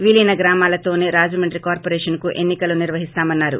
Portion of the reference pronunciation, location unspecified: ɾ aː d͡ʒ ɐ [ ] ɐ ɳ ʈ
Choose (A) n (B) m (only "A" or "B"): B